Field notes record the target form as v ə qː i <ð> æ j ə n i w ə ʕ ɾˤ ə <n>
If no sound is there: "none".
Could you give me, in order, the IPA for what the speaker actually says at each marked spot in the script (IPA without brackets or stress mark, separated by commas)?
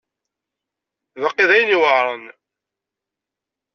ð, n